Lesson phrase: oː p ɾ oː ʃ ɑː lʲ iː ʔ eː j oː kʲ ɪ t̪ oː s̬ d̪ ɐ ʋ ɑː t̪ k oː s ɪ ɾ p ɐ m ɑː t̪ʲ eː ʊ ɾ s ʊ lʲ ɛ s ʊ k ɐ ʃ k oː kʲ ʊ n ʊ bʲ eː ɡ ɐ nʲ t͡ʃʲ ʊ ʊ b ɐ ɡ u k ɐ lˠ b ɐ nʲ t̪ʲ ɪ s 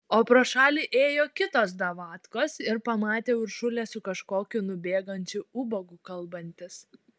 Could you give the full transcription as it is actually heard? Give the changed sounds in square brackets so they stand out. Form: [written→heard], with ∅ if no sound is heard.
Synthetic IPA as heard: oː p ɾ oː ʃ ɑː lʲ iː ʔ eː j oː kʲ ɪ t̪ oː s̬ d̪ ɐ ʋ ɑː t̪ k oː s ɪ ɾ p ɐ m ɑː t̪ʲ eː ʊ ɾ [s→ʃ] ʊ lʲ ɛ s ʊ k ɐ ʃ k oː kʲ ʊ n ʊ bʲ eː ɡ ɐ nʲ t͡ʃʲ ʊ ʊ b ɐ ɡ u k ɐ lˠ b ɐ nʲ t̪ʲ ɪ s